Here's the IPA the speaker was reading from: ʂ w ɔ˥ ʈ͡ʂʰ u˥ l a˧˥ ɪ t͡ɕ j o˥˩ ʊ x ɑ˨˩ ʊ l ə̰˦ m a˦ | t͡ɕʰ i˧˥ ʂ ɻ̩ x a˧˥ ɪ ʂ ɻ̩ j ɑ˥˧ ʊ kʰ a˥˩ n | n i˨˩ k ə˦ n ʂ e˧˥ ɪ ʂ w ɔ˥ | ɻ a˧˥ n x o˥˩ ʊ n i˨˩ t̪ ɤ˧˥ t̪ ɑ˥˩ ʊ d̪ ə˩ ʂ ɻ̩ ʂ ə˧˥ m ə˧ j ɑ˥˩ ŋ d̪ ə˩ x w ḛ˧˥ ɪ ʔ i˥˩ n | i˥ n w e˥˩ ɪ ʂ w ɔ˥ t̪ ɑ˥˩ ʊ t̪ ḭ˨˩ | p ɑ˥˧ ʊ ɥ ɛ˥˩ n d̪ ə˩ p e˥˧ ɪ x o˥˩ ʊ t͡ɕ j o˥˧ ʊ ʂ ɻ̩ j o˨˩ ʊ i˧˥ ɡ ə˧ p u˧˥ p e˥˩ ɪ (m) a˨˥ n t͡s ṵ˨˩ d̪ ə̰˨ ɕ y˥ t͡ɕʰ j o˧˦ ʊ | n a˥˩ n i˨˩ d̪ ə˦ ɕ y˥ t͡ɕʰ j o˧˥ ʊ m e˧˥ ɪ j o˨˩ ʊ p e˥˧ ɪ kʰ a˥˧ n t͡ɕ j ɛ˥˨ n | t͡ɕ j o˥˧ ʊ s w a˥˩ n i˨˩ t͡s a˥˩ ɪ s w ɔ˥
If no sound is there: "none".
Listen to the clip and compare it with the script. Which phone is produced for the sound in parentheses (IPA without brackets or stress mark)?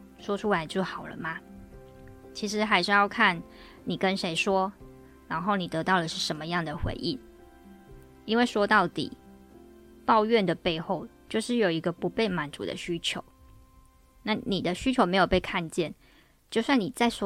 m